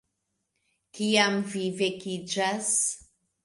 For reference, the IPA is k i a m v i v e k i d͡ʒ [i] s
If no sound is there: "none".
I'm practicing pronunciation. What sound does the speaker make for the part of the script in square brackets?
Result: a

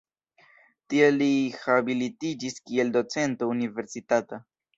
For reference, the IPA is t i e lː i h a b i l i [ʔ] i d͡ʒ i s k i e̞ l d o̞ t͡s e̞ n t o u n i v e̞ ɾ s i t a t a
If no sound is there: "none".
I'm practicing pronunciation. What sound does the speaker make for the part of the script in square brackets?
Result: t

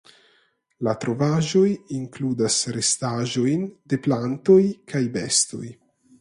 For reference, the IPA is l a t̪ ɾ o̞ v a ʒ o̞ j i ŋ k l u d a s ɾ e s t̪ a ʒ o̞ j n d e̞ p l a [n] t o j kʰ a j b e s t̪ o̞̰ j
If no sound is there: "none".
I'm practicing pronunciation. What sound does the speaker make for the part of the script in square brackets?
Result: n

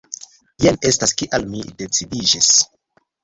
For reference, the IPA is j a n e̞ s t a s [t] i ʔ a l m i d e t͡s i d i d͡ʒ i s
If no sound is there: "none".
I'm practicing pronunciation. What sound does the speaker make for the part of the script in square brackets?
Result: k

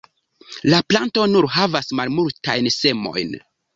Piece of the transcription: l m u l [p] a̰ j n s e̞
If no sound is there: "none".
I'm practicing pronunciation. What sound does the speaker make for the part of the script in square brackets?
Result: t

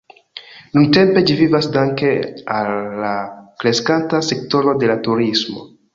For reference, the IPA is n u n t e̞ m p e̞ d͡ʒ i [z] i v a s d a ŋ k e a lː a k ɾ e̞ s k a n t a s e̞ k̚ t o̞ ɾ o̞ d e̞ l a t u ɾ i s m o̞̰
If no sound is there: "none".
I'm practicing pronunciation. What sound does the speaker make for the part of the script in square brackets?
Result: v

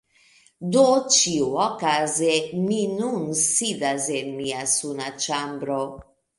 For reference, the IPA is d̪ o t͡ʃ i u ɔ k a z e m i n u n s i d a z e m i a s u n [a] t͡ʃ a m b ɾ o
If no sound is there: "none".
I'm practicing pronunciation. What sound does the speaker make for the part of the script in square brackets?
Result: a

